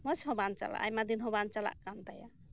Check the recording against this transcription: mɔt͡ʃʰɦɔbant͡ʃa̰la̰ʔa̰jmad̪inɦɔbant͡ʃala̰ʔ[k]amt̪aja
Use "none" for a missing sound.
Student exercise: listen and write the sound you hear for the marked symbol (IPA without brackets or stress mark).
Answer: k